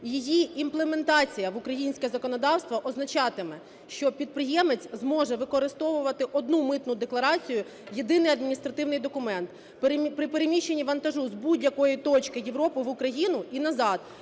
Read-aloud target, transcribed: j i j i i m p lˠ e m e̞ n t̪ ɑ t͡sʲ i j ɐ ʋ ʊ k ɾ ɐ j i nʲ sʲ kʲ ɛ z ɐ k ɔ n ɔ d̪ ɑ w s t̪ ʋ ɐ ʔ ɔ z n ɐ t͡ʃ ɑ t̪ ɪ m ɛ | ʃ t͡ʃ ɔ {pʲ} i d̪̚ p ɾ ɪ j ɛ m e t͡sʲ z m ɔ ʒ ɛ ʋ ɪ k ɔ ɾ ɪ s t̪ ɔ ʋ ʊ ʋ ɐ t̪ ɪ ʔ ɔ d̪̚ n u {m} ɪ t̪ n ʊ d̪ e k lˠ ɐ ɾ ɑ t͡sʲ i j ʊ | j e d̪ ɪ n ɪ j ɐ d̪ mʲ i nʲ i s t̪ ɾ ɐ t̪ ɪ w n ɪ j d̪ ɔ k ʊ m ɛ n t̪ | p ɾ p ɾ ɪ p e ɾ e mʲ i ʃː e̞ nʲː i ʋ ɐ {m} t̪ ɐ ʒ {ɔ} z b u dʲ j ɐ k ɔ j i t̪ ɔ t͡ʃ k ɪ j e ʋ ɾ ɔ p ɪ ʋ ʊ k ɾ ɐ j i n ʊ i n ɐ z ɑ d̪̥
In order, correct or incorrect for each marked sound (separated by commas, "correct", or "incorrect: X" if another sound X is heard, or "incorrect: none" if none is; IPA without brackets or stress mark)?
correct, correct, incorrect: n, incorrect: u